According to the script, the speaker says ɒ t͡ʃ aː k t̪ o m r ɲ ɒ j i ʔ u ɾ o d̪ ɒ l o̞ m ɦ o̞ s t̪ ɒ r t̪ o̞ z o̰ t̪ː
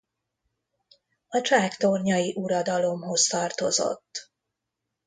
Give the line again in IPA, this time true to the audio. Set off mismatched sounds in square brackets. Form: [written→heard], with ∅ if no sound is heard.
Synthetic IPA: ɒ t͡ʃ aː k t̪ o [m→∅] r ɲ ɒ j i ʔ u ɾ [o→ɒ] d̪ ɒ l o̞ m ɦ o̞ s t̪ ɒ r t̪ o̞ z o̰ t̪ː

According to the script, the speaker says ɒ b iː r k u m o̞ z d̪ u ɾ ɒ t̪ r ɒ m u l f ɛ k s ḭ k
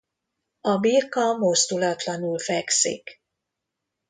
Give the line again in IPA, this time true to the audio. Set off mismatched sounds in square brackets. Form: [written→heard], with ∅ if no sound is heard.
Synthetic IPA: ɒ b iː r k [u→ɒ] m o̞ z d̪ u [ɾ→l] ɒ t̪ [r→l] ɒ [m→n] u l f ɛ k s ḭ k

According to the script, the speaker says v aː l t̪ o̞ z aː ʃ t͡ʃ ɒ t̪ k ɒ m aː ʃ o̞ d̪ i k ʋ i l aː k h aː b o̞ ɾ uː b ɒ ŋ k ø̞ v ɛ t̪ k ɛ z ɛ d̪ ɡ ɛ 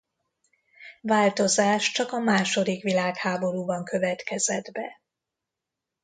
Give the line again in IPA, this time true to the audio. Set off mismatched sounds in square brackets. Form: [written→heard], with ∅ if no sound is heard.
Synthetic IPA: v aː l t̪ o̞ z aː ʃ t͡ʃ ɒ [t̪→∅] k ɒ m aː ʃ o̞ d̪ i k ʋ i l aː k h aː b o̞ ɾ uː b ɒ ŋ k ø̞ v ɛ t̪ k ɛ z ɛ d̪ [ɡ→b] ɛ

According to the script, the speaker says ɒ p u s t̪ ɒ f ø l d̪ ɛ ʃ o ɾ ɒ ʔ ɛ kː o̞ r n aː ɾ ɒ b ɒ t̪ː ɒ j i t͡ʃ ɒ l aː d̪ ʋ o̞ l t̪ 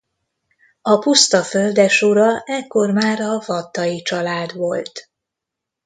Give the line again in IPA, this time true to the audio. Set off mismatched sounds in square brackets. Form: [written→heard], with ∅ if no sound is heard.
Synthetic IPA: ɒ p u s t̪ ɒ f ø l d̪ ɛ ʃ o ɾ ɒ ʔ ɛ kː o̞ r [n→m] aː ɾ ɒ [b→v] ɒ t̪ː ɒ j i t͡ʃ ɒ l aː d̪ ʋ o̞ l t̪

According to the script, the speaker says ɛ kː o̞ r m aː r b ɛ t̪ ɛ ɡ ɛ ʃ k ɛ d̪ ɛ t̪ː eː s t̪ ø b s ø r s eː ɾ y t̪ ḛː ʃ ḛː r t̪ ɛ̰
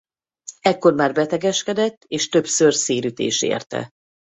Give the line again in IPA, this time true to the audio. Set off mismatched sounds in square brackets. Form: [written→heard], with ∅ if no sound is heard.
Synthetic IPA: ɛ kː o̞ r m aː r b ɛ t̪ ɛ ɡ ɛ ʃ k ɛ d̪ ɛ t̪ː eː [s→ʃ] t̪ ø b s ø r s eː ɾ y t̪ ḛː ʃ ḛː r t̪ ɛ̰

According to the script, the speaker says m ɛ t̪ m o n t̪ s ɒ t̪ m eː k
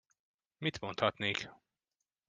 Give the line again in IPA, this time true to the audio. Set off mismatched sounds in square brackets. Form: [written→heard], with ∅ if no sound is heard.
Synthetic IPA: m [ɛ→i] t̪ m o n t̪ [s→h] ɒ t̪ [m→n] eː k

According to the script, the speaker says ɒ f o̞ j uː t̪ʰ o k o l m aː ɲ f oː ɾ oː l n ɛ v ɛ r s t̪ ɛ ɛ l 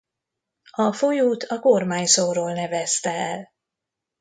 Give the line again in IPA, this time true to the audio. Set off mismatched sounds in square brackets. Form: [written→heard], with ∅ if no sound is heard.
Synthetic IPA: ɒ f o̞ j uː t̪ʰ [o→ɒ] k o [l→r] m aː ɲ [f→s] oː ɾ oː l n ɛ v ɛ [r→∅] s t̪ ɛ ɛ l

